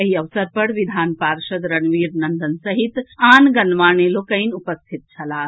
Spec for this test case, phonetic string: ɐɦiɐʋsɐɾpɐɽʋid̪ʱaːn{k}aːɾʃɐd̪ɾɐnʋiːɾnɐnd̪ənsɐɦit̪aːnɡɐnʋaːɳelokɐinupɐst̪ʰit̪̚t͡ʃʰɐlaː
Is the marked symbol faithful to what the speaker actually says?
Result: no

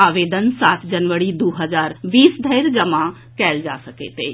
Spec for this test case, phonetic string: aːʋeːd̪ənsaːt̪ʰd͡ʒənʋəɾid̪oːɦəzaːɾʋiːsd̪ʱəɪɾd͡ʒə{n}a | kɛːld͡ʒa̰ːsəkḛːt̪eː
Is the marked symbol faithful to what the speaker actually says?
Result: no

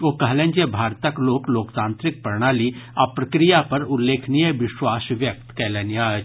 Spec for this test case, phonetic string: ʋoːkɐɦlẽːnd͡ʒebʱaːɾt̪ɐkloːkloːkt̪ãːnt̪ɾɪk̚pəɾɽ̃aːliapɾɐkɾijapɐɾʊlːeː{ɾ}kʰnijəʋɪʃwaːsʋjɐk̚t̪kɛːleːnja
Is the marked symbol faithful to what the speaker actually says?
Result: no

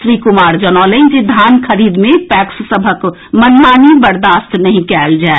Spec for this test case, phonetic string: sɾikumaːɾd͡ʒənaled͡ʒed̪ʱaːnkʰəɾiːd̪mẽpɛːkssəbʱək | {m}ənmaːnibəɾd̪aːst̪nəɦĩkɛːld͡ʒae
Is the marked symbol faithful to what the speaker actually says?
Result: yes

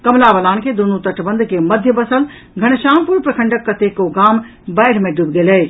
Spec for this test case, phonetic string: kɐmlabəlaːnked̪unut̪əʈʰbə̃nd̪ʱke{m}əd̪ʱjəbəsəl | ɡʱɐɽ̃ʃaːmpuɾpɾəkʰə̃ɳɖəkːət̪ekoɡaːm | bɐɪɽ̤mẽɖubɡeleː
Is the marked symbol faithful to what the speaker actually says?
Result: yes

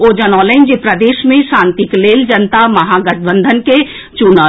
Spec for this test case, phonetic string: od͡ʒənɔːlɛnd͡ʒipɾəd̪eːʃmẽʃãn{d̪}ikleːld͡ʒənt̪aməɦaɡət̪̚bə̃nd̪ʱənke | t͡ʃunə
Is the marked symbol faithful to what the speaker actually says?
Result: no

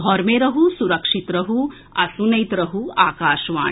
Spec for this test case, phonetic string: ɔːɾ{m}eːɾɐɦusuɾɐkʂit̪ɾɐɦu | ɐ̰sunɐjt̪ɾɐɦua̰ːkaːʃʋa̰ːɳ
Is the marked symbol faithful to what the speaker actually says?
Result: yes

